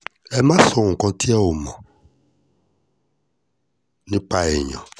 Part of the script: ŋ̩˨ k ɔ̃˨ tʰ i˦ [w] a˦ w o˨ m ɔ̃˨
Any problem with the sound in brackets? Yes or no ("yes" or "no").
yes